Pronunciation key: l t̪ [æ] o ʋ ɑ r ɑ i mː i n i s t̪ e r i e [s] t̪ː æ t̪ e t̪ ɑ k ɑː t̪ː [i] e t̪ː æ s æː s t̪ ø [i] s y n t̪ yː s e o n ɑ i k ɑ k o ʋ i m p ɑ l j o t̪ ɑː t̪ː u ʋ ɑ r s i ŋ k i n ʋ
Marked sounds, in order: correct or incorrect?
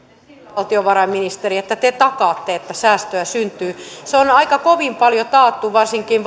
incorrect, incorrect, incorrect, incorrect

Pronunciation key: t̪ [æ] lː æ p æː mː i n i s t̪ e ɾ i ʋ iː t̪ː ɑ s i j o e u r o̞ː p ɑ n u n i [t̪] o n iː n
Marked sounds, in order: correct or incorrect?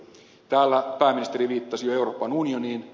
incorrect, incorrect

